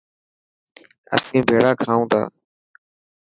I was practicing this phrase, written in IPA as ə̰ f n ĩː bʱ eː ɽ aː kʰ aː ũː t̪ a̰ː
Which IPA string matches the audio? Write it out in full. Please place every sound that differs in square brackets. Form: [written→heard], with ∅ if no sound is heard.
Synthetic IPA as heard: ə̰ [f→s] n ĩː bʱ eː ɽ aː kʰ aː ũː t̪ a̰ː